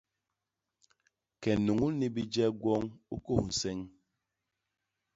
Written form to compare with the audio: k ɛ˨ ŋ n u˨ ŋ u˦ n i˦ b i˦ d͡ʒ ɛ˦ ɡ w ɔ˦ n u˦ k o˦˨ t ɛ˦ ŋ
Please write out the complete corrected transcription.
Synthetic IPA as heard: k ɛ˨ n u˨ ŋ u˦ n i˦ b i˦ d͡ʒ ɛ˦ ɡ w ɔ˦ ŋ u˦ k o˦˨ s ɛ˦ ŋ